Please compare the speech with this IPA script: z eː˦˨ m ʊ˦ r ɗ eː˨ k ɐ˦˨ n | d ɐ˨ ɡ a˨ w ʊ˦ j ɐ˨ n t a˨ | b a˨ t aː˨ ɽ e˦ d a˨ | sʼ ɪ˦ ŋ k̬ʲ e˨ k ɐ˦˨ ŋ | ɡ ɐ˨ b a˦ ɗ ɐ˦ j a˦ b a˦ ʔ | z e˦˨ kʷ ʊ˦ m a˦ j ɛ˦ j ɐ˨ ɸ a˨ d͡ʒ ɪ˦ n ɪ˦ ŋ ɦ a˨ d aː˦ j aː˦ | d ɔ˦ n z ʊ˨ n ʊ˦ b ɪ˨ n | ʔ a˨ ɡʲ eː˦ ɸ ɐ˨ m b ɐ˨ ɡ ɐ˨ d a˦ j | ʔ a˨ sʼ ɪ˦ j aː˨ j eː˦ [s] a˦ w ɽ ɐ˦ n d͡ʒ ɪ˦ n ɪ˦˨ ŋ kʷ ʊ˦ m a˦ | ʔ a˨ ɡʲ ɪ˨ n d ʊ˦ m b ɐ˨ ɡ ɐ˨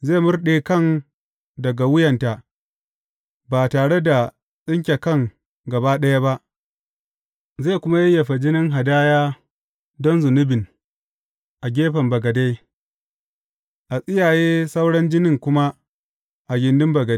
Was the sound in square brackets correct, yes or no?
yes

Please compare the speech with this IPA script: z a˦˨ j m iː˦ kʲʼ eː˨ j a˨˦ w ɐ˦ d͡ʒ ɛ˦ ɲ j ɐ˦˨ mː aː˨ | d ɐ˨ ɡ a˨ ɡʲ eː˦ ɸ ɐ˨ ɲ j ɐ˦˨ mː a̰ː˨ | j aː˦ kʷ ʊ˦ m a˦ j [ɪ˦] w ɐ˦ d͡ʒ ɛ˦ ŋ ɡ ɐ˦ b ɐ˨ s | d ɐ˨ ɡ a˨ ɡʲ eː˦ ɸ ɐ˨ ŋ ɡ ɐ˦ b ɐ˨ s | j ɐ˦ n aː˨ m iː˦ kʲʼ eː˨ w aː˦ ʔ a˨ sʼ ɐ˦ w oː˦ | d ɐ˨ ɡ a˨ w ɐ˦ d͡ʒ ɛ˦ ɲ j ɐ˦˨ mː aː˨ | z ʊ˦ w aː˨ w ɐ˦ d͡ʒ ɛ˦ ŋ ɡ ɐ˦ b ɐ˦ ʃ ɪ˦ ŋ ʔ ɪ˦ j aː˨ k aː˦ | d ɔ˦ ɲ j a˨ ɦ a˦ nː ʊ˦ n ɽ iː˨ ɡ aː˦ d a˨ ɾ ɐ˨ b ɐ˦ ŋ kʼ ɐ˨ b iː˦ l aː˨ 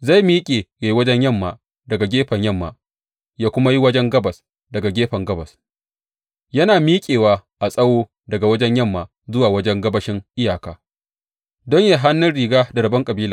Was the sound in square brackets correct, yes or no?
no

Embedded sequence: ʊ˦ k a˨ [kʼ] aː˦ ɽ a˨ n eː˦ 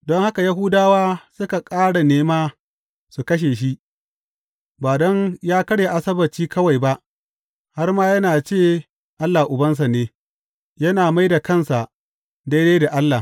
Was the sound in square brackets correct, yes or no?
yes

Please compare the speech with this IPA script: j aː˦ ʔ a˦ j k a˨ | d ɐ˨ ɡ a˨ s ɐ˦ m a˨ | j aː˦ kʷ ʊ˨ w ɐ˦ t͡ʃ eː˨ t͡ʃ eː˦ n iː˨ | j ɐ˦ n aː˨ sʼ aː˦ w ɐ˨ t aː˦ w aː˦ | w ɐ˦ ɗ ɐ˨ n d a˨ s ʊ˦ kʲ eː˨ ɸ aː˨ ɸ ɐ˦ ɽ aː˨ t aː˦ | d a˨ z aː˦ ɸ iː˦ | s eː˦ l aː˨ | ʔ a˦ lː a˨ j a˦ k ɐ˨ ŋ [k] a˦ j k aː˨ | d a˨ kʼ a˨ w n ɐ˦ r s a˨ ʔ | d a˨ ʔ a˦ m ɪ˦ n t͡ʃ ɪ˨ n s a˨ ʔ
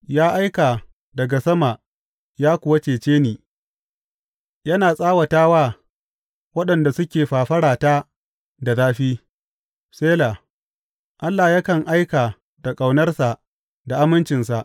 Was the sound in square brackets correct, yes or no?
no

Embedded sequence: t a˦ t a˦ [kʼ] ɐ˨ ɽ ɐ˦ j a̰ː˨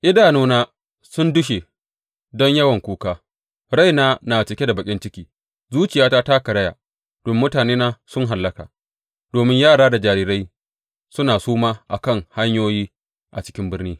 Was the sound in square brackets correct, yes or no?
no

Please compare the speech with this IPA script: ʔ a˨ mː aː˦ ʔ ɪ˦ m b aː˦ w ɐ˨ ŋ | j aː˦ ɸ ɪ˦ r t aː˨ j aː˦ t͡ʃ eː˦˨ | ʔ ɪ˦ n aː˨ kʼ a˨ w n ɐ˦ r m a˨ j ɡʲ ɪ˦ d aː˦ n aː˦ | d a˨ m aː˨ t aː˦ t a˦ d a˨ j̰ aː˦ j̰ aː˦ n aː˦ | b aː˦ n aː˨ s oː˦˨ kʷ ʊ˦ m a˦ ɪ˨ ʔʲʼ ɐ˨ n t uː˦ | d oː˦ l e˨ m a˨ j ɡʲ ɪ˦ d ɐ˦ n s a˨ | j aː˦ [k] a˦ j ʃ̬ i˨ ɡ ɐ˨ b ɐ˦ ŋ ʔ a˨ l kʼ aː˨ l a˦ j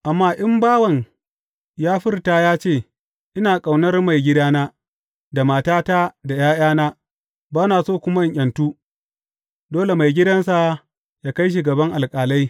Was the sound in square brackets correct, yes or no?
yes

